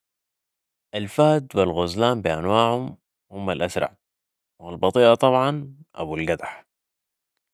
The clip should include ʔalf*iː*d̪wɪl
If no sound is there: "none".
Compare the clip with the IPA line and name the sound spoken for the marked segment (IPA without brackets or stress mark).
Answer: aː